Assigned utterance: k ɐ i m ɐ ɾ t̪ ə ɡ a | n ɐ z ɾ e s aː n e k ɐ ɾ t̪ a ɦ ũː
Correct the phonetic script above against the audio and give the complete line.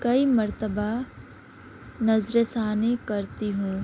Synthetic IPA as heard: k ɐ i m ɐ ɾ t̪ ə b a | n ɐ z ɾ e s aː n e k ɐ ɾ t̪ i ɦ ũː